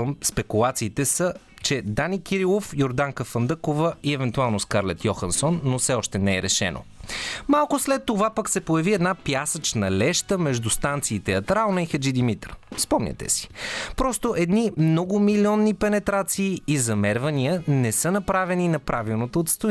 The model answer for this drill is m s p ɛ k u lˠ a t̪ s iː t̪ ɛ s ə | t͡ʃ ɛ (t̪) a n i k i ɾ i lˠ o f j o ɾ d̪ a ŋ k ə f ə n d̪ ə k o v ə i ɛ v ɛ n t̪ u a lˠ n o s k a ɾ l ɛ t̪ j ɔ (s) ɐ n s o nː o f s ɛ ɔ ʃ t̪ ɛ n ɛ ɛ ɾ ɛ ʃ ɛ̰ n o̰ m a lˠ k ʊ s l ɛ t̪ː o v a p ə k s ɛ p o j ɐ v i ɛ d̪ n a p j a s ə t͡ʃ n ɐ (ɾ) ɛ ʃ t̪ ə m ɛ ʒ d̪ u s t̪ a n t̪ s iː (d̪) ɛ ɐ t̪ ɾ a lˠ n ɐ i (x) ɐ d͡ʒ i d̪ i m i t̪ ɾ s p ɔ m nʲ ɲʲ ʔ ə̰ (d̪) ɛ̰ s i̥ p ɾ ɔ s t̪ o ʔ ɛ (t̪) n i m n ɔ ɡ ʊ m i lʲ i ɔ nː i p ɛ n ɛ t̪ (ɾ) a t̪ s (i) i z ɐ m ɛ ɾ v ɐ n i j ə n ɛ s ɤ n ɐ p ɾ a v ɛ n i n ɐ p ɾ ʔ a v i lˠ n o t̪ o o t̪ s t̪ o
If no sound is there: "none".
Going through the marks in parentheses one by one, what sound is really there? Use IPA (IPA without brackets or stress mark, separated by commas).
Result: d̪, x, l, t̪, x, t̪, d̪, ɾ, iː